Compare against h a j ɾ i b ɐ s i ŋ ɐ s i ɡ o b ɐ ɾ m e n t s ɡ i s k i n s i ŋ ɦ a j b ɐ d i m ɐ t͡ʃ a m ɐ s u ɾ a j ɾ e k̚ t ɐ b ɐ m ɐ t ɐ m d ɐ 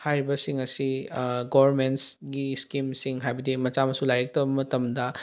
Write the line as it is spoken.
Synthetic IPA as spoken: h a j ɾ i b ɐ s i ŋ ɐ s i ɡ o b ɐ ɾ m e n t s ɡ i s k i m s i ŋ ɦ a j b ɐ d i m ɐ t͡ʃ a m ɐ s u l a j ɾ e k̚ t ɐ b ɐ m ɐ t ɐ m d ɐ